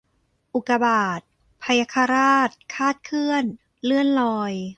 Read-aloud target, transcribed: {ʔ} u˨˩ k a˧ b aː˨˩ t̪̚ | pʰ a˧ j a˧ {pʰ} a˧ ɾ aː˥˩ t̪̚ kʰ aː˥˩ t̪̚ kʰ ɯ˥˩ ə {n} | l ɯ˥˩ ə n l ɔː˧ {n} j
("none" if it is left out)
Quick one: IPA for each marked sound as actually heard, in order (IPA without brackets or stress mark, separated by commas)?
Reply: ʔ, kʰ, n, none